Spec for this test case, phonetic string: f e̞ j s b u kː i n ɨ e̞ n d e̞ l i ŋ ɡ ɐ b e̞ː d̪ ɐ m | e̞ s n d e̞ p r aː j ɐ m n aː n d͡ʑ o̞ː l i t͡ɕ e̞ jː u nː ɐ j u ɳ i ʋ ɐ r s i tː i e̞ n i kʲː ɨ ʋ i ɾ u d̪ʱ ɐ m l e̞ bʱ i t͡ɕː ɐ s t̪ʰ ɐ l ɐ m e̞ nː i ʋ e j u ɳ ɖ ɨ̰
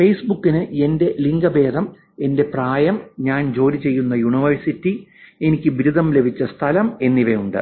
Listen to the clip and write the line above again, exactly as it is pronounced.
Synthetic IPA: f e̞ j s b u kː i n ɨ e̞ n d e̞ l i ŋ ɡ ɐ b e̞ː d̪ ɐ m | e̞ n d e̞ p r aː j ɐ m ɲ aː n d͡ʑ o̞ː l i t͡ɕ e̞ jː u nː ɐ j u ɳ i ʋ ɐ r s i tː i e̞ n i kʲː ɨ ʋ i ɾ u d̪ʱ ɐ m l e̞ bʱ i t͡ɕː ɐ s t̪ʰ ɐ l ɐ m e̞ nː i ʋ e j u ɳ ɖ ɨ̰